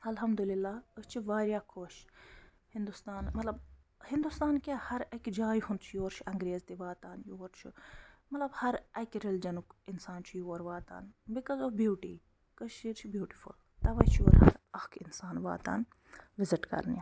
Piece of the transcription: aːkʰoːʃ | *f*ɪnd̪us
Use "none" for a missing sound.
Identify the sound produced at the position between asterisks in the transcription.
h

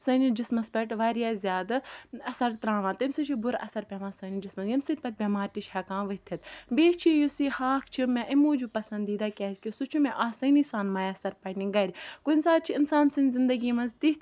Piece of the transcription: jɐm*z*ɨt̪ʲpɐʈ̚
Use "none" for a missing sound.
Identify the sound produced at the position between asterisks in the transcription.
s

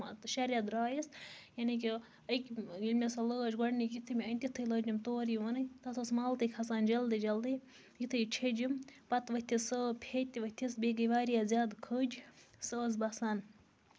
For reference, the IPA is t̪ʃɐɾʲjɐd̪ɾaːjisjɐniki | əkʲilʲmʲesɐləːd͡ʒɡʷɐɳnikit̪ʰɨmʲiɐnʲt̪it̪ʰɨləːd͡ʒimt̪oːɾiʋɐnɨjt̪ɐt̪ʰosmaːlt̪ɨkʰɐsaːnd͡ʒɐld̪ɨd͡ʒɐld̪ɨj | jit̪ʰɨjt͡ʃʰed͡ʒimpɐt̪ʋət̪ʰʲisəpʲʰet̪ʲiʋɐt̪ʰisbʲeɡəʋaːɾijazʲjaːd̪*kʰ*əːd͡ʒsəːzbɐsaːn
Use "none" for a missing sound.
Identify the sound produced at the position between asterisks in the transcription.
kʰ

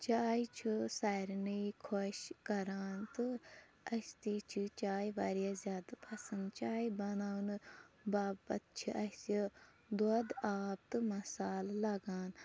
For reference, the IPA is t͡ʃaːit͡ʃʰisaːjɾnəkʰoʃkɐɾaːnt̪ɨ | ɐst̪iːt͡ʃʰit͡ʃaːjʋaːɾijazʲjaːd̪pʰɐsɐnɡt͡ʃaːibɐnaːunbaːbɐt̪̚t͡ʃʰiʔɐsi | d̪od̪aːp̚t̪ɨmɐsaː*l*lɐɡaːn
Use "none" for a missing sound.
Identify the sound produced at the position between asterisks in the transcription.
l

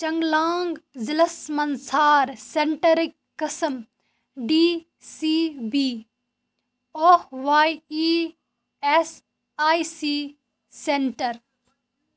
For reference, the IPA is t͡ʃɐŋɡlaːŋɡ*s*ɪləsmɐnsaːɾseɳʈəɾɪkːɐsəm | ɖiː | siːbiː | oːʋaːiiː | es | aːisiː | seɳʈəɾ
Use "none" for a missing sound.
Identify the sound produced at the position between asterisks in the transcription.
z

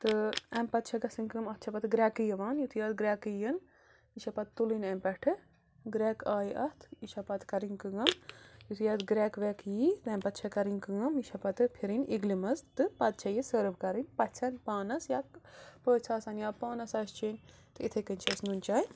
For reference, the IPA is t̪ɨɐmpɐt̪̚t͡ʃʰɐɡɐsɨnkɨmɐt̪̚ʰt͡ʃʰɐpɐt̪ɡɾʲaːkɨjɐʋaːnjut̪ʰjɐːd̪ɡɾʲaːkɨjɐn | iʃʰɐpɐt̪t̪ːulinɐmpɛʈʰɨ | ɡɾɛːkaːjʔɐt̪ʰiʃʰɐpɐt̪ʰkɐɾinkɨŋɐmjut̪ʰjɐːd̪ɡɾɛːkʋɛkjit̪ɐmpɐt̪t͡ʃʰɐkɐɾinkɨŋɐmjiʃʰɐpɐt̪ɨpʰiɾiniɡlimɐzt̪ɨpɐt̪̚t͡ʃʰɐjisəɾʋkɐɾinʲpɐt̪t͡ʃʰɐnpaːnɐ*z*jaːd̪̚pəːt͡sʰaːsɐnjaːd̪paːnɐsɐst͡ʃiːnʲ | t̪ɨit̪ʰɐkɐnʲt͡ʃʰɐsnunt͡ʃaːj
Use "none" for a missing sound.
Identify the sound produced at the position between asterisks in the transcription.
s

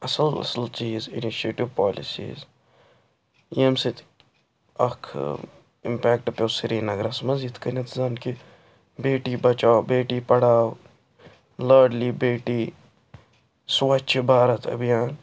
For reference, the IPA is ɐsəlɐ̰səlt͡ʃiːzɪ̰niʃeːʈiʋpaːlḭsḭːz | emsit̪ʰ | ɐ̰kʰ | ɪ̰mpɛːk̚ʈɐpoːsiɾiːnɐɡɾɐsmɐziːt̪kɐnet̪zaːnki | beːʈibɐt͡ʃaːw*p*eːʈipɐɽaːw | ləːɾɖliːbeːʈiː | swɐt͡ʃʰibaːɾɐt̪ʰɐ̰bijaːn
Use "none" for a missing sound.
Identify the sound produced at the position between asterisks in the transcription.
b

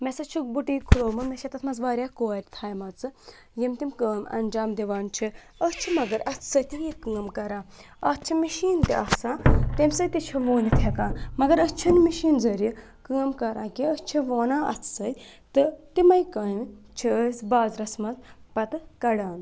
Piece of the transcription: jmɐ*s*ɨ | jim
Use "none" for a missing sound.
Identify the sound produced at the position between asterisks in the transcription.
t͡s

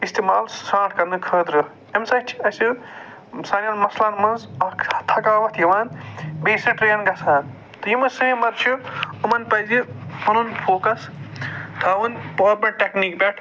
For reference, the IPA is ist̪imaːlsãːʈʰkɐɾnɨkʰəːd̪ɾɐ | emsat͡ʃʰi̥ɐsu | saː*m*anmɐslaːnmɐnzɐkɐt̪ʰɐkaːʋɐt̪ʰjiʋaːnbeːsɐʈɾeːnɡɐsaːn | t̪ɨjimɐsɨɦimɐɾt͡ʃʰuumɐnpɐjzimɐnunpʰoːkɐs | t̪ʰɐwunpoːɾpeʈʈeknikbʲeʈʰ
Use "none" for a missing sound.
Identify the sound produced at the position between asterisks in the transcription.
n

